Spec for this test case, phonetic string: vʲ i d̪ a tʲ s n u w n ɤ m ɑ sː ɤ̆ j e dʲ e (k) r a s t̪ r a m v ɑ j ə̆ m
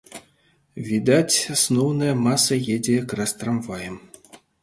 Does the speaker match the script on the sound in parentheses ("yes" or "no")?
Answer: yes